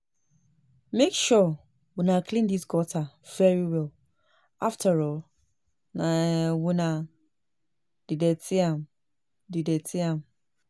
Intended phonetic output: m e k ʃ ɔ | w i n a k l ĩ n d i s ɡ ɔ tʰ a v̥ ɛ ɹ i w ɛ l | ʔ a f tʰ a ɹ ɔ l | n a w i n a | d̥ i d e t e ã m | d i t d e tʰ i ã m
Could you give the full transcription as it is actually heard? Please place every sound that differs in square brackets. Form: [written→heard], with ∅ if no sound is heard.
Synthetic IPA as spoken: m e k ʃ ɔ | w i n a k l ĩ n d i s ɡ ɔ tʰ a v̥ ɛ ɹ i w ɛ l | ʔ a f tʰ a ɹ ɔ l | n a w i n a | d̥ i d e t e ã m | d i [t→∅] d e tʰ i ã m